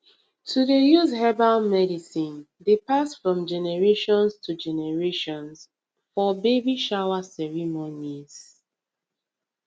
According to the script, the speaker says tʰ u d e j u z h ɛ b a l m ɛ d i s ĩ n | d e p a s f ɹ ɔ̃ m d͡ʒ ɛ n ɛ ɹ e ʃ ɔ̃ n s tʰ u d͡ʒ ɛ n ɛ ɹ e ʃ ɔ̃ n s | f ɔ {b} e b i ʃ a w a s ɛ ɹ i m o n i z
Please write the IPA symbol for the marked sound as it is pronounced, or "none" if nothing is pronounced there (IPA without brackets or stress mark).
b